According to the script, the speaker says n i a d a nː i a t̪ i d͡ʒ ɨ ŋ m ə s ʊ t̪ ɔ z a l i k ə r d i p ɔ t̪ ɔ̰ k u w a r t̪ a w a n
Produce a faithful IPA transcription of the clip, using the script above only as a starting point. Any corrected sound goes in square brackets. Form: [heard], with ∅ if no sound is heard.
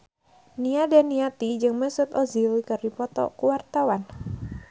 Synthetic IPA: n i a d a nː i a t̪ i d͡ʒ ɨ ŋ m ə s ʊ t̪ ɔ z [i] l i k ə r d i p ɔ t̪ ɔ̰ k u w a r t̪ a w a n

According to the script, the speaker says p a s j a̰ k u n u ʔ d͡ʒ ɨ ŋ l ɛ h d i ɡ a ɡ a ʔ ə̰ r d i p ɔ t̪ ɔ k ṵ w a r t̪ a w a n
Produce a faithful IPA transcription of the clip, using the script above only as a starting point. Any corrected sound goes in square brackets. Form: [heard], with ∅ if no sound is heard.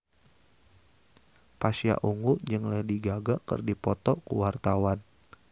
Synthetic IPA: p a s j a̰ [ʔ] u [ŋ] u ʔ d͡ʒ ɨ ŋ l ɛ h d i ɡ a ɡ a [k] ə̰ r d i p ɔ t̪ ɔ k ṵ w a r t̪ a w a n

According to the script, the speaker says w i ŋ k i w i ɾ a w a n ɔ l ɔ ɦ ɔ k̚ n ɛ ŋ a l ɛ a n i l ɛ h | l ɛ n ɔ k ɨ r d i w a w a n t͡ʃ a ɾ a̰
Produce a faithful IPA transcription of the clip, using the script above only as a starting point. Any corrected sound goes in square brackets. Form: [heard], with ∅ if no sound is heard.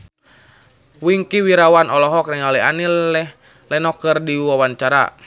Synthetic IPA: w i ŋ k i w i ɾ a w a n ɔ l ɔ ɦ ɔ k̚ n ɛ ŋ a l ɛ a n i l ɛ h | l ɛ n ɔ k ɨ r d i w a w a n t͡ʃ a ɾ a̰

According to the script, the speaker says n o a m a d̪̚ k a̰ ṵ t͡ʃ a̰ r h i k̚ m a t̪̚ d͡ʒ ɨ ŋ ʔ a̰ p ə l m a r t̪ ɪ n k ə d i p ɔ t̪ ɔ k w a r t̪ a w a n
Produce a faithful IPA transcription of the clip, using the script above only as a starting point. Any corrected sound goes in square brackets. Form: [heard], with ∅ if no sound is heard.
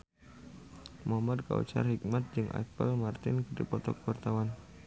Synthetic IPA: [m] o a m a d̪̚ k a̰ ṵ t͡ʃ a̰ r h i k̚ m a t̪̚ d͡ʒ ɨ ŋ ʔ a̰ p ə l m a r t̪ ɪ n k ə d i p ɔ t̪ ɔ k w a r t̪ a w a n

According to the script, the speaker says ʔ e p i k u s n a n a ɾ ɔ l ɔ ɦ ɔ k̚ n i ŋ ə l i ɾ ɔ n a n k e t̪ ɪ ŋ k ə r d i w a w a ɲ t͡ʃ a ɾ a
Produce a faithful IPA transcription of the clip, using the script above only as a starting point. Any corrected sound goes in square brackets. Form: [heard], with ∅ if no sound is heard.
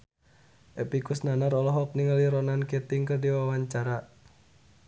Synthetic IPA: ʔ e p i k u s n a n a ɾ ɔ l ɔ ɦ ɔ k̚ n i ŋ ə l i ɾ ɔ n a n k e t̪ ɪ ŋ k ə r d i w a w a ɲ t͡ʃ a ɾ a

